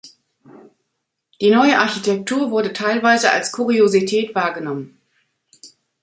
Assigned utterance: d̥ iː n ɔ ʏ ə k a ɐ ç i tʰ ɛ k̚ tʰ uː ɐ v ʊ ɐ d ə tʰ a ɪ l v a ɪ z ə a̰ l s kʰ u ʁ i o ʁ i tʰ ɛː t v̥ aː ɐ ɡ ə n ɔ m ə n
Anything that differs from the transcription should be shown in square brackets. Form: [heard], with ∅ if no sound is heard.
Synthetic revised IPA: d̥ iː n ɔ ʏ ə [ʔ] a ɐ ç i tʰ ɛ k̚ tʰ uː ɐ v ʊ ɐ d ə tʰ a ɪ l v a ɪ z ə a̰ l s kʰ u ʁ i o [z] i tʰ ɛː t v̥ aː ɐ ɡ ə n ɔ m ə n